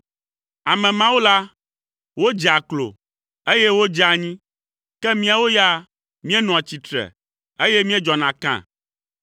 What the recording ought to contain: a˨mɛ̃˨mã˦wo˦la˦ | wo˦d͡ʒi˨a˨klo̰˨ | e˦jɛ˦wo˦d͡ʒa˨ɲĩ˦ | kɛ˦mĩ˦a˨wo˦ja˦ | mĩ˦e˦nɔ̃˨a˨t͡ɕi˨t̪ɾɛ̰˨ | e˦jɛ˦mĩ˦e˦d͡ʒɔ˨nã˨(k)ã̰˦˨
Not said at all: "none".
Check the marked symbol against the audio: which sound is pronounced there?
k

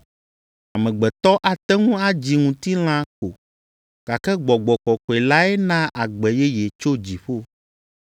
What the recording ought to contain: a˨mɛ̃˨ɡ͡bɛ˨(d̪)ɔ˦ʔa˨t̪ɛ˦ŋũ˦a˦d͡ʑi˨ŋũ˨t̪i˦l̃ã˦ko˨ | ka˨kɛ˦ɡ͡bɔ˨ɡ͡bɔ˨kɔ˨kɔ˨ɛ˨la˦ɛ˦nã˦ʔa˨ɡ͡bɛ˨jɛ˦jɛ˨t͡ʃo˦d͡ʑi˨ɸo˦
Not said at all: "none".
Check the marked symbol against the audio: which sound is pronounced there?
t̪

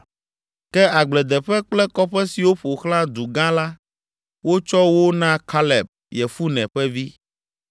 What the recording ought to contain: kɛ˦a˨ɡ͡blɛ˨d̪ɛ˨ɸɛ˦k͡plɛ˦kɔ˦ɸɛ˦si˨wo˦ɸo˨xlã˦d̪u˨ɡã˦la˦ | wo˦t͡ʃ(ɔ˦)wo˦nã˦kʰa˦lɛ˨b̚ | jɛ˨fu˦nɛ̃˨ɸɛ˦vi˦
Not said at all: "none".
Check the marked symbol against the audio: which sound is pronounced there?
ɔ˦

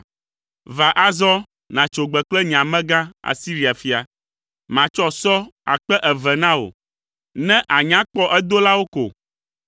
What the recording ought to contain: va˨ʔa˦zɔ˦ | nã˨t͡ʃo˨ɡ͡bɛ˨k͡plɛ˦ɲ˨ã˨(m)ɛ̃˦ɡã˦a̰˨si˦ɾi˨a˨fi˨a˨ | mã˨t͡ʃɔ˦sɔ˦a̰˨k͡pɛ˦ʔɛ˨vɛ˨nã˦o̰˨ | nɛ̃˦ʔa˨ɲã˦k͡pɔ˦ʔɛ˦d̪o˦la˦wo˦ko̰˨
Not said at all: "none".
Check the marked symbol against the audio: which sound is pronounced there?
m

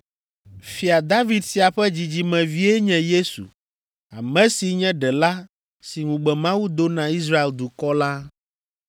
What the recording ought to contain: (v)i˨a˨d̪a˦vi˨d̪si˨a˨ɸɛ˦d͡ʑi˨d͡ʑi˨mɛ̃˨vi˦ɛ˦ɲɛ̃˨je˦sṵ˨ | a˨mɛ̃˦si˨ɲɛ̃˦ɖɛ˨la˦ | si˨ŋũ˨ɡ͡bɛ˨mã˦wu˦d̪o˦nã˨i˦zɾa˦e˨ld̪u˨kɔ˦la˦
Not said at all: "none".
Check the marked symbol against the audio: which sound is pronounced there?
f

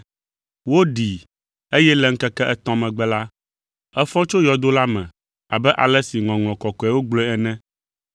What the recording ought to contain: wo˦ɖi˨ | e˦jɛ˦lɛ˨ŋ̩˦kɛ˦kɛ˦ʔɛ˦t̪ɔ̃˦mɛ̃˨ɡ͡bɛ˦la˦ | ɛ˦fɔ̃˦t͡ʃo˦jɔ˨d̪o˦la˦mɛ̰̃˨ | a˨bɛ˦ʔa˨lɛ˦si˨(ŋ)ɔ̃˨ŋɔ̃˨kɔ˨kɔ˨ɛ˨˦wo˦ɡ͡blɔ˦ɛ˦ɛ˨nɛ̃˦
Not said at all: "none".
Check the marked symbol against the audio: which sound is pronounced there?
ŋ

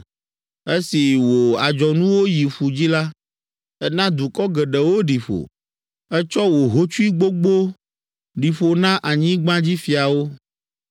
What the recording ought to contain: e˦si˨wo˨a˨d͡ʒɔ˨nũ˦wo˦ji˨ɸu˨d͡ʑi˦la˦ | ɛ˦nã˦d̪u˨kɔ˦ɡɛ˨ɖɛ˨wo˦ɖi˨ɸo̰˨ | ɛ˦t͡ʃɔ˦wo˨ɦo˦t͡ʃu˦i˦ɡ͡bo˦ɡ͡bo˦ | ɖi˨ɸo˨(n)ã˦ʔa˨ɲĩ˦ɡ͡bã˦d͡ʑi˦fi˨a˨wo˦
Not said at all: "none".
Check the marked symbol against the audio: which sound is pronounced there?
n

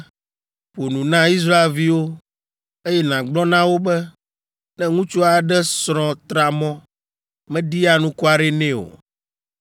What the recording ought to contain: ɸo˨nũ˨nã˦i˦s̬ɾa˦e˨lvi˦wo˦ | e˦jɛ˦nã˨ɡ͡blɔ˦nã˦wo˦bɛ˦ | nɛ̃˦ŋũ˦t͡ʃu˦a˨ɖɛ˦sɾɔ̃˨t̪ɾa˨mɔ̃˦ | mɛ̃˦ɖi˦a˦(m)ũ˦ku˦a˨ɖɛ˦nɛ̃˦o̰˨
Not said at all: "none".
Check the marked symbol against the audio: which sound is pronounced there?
n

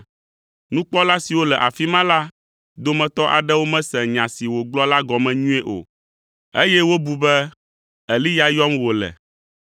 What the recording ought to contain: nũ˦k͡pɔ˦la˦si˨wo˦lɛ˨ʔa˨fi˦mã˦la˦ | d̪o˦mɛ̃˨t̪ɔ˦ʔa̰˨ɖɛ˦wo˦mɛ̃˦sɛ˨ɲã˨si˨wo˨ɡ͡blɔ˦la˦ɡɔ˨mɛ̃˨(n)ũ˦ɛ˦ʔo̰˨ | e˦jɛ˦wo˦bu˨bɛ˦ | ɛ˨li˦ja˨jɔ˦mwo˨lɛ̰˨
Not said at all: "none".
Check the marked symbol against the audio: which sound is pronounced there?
ɲ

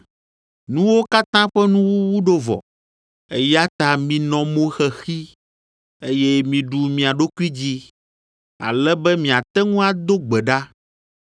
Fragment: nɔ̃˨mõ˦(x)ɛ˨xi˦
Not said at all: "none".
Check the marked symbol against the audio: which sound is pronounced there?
x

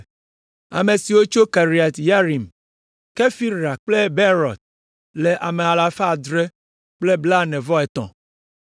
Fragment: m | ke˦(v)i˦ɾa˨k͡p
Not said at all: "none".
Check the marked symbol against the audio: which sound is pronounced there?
f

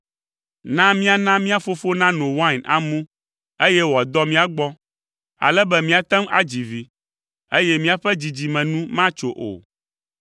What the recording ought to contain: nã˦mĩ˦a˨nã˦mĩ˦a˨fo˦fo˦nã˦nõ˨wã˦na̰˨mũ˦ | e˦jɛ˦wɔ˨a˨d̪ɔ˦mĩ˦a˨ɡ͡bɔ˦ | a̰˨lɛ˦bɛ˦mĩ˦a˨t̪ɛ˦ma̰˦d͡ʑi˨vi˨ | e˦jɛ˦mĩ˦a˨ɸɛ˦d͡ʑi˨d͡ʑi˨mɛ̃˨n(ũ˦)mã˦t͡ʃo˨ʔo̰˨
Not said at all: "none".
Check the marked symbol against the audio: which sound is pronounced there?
ũ˦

